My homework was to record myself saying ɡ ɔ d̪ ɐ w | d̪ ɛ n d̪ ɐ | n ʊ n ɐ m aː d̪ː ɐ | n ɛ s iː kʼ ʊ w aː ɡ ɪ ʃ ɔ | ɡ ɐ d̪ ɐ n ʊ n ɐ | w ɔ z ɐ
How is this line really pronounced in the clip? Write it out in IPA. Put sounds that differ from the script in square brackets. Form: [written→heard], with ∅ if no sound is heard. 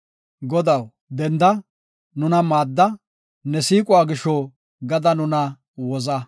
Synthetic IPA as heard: ɡ ɔ d̪ ɐ w | d̪ ɛ n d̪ ɐ | n ʊ n ɐ m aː d̪ː ɐ | n ɛ s iː kʼ ʊ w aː ɡ ɪ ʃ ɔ | ɡ ɐ d̪ ɐ n ʊ n ɐ | w ɔ z ɐ